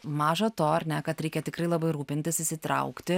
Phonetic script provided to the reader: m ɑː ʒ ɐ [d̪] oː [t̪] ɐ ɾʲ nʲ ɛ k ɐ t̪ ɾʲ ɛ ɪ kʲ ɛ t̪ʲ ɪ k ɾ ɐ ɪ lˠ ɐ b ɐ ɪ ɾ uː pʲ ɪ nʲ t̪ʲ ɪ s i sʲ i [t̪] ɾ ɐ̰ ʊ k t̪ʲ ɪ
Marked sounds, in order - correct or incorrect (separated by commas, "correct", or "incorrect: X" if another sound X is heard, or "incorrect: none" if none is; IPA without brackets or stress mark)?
incorrect: t̪, incorrect: none, correct